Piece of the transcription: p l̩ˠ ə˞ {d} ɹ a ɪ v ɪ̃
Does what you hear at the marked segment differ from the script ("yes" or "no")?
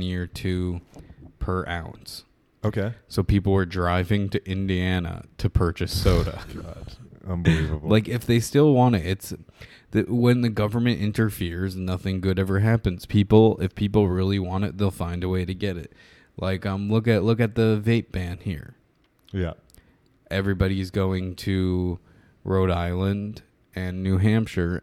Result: no